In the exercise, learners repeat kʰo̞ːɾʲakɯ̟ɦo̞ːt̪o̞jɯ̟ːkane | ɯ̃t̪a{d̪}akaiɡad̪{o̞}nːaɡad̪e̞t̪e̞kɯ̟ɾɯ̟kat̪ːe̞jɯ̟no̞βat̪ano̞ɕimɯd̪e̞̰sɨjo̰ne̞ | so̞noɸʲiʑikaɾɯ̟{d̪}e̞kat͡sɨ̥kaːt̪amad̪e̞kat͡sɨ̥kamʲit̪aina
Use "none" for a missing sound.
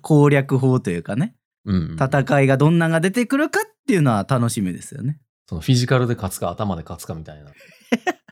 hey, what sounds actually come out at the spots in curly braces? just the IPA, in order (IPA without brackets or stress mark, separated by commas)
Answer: t̪, õ̞, d̪